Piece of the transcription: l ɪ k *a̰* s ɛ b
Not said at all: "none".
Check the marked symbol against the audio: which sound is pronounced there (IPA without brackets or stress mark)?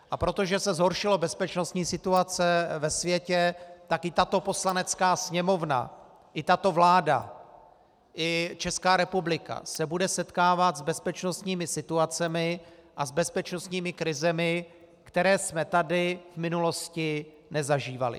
a̰